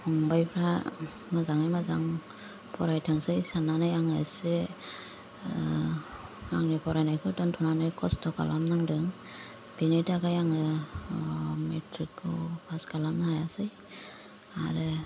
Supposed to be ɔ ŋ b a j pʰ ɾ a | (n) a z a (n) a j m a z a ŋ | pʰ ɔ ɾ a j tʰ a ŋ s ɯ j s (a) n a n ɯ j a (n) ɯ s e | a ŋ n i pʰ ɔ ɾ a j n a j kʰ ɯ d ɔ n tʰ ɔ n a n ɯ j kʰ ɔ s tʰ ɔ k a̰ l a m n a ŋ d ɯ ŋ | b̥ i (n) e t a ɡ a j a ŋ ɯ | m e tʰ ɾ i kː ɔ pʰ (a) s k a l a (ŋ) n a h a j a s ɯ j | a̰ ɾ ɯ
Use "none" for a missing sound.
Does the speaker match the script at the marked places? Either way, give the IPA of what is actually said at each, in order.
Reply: m, ŋ, a, ŋ, n, a, m

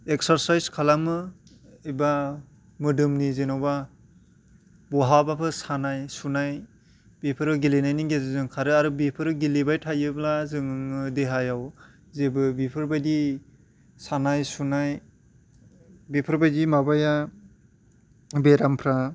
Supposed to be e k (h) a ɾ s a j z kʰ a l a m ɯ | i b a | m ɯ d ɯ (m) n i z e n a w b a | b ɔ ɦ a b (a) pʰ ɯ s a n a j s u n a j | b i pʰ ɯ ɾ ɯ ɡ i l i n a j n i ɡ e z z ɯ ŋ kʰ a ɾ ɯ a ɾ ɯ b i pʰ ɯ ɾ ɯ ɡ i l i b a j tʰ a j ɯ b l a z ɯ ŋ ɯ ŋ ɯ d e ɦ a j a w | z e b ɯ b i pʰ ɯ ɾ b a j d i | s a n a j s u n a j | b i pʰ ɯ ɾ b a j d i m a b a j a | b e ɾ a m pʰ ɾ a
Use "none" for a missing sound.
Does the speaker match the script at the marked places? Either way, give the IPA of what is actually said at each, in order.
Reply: s, m, a

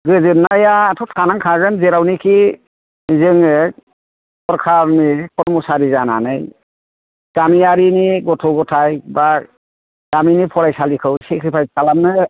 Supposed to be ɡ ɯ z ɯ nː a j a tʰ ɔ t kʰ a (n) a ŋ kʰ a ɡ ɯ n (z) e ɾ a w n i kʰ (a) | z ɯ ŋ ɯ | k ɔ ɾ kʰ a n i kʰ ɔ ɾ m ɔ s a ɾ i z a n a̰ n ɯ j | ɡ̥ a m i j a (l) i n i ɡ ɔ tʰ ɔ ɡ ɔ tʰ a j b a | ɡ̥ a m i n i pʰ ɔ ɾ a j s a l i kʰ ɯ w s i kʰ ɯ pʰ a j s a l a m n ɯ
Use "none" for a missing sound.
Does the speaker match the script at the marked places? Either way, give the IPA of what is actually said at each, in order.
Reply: n, z, i, ɾ

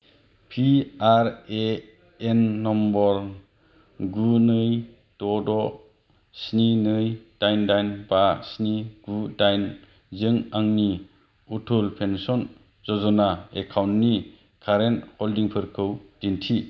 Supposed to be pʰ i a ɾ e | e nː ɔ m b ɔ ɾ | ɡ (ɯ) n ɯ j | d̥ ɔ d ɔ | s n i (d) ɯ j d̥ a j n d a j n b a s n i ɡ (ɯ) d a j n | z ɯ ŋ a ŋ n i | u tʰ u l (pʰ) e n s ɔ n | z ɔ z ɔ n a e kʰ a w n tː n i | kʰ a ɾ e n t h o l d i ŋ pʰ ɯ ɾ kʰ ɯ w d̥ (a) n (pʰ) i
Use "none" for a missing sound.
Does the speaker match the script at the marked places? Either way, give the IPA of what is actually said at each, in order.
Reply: u, n, u, pʰ, i, tʰ

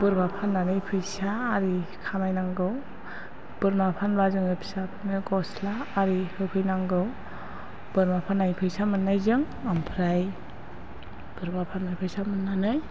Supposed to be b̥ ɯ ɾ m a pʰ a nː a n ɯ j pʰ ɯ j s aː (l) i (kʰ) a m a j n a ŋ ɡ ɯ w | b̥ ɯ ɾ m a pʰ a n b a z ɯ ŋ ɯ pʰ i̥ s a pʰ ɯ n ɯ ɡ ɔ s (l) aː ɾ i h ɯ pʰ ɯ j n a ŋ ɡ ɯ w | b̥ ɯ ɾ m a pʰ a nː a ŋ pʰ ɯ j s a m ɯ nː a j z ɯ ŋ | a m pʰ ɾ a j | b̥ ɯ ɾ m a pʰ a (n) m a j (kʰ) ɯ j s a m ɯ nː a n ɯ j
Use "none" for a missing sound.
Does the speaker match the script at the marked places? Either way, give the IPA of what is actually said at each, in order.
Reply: ɾ, kʰ, l, n, pʰ

